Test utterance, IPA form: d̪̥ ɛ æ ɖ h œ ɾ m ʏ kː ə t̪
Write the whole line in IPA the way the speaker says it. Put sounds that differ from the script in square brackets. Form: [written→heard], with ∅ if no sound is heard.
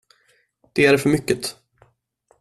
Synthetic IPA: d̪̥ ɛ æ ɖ [h→f] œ ɾ m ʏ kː ə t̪